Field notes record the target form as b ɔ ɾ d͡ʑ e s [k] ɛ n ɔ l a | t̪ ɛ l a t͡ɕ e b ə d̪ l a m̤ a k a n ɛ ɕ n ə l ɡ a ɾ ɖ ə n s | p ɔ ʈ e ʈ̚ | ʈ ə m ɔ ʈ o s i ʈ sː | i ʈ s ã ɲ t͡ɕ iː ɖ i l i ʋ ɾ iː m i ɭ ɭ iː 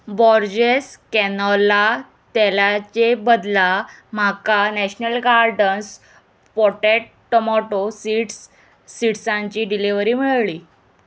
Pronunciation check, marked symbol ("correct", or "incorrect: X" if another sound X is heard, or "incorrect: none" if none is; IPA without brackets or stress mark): correct